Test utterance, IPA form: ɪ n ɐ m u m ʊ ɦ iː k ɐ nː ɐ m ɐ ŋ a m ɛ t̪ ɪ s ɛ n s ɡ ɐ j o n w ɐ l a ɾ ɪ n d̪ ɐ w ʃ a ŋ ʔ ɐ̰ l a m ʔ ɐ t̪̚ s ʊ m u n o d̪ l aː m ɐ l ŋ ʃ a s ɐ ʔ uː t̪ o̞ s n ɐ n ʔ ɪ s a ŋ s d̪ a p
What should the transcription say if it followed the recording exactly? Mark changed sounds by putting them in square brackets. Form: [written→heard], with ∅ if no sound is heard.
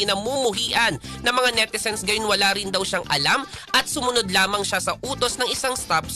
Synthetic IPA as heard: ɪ n ɐ m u m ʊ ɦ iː [k→ʔ] ɐ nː ɐ m ɐ ŋ a [m→n] ɛ t̪ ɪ s ɛ n s ɡ ɐ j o n w ɐ l a ɾ ɪ n d̪ ɐ w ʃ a ŋ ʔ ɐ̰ l a m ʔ ɐ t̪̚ s ʊ m [u→ʊ] n o d̪ l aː m ɐ [l→∅] ŋ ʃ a s ɐ ʔ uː t̪ o̞ s n ɐ [n→ŋ] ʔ ɪ s a ŋ s [d̪→t̪] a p